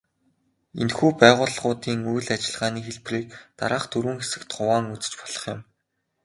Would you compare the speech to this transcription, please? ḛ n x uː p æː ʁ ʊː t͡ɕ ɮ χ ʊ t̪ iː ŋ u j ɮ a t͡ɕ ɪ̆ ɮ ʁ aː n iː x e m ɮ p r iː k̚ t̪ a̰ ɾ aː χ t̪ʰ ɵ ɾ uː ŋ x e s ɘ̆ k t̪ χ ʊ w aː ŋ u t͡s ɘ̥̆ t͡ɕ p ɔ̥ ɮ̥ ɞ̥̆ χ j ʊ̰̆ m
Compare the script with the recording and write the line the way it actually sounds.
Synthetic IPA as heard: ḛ n x uː p æː ʁ ʊː ɮ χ ʊː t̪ iː ŋ u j ɮ a t͡ɕ ɪ̆ ɮ ʁ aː n iː x e ɮ p r iː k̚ t̪ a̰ ɾ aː χ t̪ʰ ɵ ɾ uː ŋ x e s ɘ̆ k t̪ χ ʊ w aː ŋ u t͡s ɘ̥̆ t͡ɕ p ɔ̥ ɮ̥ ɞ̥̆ χ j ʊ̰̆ m